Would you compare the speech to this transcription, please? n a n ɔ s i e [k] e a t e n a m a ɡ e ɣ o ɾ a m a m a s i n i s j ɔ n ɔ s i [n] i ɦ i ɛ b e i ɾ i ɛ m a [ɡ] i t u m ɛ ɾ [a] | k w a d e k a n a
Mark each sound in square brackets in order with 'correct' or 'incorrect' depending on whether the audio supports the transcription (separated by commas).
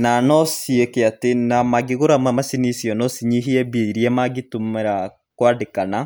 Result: correct, incorrect, correct, correct